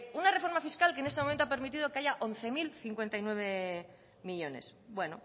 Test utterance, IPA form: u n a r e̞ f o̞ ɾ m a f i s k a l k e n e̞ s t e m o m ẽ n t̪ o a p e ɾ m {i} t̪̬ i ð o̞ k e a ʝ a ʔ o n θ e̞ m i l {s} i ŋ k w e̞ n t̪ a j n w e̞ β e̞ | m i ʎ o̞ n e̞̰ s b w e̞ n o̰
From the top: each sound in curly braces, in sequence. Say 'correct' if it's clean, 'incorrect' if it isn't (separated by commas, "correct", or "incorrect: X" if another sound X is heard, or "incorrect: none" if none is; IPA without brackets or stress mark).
correct, incorrect: θ